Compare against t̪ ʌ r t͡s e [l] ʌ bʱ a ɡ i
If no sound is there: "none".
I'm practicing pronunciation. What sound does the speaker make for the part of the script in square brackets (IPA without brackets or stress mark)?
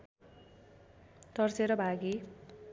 ɾ